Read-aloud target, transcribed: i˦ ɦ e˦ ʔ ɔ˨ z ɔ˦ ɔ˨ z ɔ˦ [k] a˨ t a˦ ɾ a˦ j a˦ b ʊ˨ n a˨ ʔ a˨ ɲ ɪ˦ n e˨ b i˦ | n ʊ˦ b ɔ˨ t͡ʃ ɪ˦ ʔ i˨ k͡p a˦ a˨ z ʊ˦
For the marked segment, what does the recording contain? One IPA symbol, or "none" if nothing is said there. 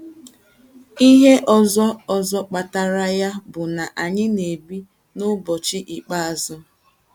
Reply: k͡p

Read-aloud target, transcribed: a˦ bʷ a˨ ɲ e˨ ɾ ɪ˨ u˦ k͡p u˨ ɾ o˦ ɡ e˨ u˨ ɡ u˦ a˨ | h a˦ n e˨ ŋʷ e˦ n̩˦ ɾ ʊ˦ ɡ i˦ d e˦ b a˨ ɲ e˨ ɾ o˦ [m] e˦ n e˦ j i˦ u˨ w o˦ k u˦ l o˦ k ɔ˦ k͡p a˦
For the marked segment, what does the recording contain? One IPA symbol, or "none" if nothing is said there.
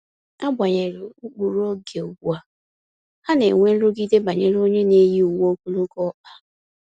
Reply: ɲ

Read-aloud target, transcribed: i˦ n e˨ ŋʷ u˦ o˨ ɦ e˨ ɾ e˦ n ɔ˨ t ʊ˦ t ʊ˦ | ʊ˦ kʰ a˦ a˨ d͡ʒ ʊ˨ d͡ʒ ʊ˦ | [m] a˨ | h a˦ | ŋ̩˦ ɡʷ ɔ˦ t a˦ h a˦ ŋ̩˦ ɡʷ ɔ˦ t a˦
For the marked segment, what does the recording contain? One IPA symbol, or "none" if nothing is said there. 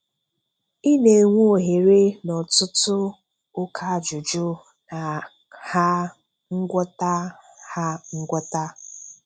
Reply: n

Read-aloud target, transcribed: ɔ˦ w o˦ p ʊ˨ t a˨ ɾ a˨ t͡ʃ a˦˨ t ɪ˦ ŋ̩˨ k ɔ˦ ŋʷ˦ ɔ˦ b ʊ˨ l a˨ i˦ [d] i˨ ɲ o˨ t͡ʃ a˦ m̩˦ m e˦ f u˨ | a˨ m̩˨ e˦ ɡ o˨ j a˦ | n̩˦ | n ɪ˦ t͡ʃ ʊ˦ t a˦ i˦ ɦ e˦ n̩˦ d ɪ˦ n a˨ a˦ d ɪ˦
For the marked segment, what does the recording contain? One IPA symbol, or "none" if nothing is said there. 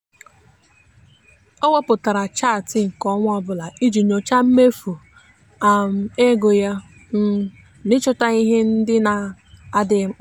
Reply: d͡ʒ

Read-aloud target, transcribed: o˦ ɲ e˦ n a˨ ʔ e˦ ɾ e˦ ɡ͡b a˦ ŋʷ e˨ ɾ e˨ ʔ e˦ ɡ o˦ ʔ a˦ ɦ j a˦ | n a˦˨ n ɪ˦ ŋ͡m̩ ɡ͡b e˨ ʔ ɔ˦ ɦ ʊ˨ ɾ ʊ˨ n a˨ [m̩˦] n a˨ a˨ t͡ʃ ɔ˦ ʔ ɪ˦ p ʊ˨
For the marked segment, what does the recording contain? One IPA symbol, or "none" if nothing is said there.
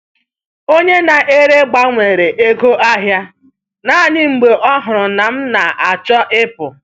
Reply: m̩˦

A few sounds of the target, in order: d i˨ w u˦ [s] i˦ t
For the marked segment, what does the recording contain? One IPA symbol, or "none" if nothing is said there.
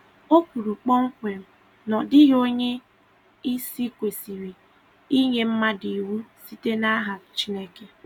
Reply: s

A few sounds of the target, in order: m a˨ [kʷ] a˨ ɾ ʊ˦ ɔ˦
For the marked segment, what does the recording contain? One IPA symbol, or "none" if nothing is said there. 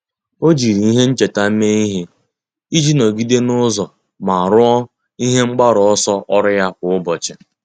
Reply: none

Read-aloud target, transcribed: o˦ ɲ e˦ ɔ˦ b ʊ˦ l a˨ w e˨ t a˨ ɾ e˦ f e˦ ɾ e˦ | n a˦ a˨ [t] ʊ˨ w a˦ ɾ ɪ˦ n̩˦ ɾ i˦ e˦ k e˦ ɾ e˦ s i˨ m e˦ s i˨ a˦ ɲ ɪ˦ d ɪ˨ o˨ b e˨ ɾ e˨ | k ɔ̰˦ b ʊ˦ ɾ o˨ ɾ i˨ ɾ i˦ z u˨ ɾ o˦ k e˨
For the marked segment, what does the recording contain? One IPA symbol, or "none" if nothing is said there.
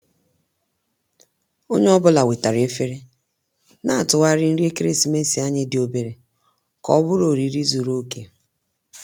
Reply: t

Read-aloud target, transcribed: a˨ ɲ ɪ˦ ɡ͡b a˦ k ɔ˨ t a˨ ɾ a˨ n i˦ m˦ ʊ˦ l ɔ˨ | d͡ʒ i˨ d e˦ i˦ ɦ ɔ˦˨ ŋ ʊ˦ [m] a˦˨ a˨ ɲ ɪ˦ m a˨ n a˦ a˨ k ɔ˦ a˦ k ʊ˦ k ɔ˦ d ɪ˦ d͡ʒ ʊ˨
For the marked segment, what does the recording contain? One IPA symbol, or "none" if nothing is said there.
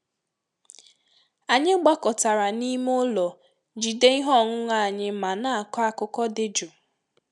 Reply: ŋ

